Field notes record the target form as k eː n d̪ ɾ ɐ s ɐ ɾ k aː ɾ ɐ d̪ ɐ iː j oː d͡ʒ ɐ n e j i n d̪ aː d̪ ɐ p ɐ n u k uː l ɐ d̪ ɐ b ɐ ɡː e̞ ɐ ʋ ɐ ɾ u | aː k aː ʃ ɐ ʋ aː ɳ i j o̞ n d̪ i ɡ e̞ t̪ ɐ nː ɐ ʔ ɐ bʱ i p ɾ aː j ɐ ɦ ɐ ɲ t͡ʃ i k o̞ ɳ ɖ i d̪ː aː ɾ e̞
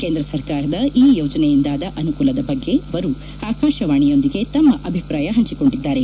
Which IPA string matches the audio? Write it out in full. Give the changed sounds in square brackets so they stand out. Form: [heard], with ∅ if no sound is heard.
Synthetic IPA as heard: k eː n d̪ ɾ ɐ s ɐ ɾ k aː ɾ ɐ d̪ ɐ iː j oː d͡ʒ ɐ n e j i n d̪ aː d̪ ɐ [ʔ] ɐ n u k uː l ɐ d̪ ɐ b ɐ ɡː e̞ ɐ ʋ ɐ ɾ u | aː k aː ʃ ɐ ʋ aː ɳ i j o̞ n d̪ i ɡ e̞ t̪ ɐ [mː] ɐ ʔ ɐ bʱ i p ɾ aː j ɐ ɦ ɐ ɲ t͡ʃ i k o̞ ɳ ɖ i d̪ː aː ɾ e̞